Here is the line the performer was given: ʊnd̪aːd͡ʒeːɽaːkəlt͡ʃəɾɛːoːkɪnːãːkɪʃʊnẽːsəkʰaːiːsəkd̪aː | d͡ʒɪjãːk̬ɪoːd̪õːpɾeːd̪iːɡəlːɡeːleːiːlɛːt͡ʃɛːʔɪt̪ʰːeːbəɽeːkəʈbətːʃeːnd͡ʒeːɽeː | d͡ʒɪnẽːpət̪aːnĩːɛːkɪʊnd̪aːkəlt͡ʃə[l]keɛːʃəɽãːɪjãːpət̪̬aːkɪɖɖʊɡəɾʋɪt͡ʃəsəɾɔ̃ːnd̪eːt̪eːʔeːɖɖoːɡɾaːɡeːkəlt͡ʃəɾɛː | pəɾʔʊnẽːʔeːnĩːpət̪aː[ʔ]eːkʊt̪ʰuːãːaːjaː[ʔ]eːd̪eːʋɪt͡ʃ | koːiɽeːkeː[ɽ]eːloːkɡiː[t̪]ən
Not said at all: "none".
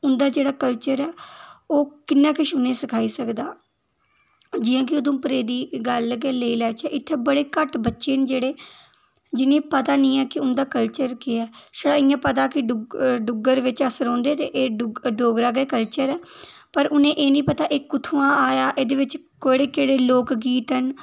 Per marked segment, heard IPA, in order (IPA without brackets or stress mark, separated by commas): ɾ, ʔ, ʔ, ɽ, t̪